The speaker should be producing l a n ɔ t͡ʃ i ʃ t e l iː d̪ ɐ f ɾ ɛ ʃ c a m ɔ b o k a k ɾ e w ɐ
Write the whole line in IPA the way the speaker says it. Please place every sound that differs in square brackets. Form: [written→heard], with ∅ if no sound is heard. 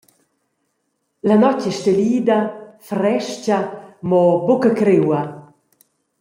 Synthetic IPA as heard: l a n ɔ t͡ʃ [i→ɛ] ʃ t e l iː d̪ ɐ f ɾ ɛ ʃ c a m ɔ b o k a k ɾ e w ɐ